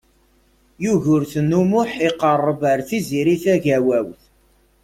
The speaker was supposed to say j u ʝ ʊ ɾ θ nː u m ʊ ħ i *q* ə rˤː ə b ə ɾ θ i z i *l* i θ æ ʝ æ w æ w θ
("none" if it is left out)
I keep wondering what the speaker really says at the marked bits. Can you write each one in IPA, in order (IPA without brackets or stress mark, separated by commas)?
q, ɾ